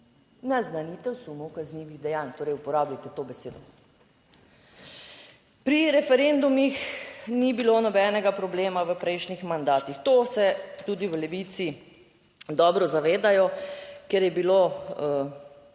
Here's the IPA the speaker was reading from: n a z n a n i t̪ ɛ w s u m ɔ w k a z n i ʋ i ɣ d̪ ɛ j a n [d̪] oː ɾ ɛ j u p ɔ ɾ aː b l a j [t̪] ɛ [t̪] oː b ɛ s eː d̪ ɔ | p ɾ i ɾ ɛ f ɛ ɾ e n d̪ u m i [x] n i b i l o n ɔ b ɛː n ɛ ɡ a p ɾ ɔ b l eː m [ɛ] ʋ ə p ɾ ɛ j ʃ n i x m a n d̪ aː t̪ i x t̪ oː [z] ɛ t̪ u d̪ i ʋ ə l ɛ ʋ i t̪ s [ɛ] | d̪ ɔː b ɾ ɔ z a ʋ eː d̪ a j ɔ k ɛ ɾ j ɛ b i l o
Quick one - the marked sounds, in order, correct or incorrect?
incorrect, correct, correct, correct, incorrect, incorrect, incorrect

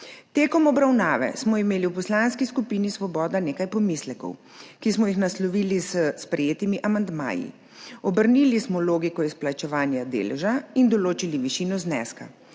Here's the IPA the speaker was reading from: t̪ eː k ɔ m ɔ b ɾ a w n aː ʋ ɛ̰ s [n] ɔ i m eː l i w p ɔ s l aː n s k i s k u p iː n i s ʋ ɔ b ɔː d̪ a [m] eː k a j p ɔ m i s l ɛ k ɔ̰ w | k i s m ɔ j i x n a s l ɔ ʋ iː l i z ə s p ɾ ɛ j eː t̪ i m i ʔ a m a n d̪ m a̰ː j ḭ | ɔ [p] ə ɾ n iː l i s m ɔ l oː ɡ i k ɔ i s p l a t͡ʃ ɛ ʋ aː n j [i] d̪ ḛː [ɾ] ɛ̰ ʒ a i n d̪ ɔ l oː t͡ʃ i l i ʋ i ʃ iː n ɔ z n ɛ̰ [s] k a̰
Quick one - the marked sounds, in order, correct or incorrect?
incorrect, incorrect, incorrect, incorrect, incorrect, correct

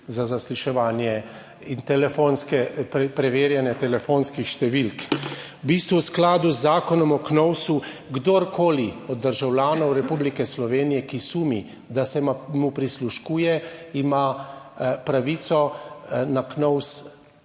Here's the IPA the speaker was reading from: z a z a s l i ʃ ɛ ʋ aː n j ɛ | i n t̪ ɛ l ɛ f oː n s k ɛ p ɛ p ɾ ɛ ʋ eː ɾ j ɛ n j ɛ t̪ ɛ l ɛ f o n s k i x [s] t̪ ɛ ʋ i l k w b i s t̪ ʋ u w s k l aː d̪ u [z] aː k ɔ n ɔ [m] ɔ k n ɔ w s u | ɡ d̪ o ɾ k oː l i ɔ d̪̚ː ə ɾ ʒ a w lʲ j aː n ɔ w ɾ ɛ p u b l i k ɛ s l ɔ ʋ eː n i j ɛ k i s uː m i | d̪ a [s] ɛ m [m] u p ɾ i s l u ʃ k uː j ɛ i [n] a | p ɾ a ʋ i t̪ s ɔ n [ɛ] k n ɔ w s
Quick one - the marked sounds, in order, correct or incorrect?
incorrect, incorrect, correct, correct, correct, incorrect, incorrect

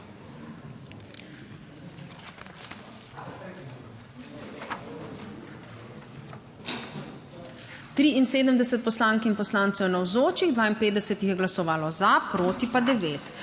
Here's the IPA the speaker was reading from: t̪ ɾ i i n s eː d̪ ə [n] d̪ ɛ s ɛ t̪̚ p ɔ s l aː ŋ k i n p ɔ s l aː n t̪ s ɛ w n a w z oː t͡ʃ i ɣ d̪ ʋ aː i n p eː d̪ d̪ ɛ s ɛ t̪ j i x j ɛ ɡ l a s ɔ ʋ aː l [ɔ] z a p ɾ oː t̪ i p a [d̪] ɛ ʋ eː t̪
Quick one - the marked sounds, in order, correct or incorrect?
incorrect, correct, correct

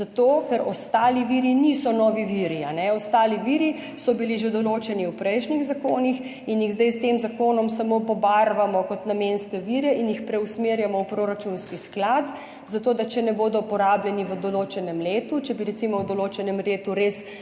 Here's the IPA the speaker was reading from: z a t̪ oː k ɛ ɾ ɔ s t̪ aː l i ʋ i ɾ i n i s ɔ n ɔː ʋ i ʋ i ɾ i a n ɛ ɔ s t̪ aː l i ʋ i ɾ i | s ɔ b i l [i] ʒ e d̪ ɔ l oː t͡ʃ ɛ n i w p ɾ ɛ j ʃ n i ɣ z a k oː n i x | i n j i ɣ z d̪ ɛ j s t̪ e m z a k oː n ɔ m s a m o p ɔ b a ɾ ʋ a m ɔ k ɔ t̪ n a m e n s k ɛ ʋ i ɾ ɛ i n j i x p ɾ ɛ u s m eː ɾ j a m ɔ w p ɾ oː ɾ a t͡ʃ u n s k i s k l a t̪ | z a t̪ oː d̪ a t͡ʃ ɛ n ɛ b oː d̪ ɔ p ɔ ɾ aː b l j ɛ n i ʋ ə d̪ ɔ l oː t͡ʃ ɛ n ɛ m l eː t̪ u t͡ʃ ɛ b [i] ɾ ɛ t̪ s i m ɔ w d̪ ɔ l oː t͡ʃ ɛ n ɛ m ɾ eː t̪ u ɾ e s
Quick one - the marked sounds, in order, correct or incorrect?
correct, correct

